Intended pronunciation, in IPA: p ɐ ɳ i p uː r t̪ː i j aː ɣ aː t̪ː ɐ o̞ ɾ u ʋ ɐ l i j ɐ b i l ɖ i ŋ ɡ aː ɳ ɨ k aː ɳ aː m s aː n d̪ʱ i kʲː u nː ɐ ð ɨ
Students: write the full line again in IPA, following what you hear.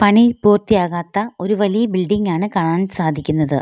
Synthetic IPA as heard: p ɐ ɳ i p uː r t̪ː i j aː ɣ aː t̪ː ɐ o̞ ɾ u ʋ ɐ l i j ɐ b i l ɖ i ŋ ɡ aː ɳ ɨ k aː ɳ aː n s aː d̪ʱ i kʲː u nː ɐ ð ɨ